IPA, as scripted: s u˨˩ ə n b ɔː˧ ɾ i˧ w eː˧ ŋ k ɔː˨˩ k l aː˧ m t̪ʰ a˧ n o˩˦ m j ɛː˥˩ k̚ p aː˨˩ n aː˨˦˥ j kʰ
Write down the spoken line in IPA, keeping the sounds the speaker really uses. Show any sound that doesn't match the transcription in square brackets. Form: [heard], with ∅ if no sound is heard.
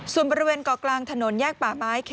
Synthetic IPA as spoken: s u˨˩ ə n b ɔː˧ ɾ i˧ w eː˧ [n] k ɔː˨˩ k l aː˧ [ŋ] t̪ʰ a˧ n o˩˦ [n] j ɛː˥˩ k̚ p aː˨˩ [m] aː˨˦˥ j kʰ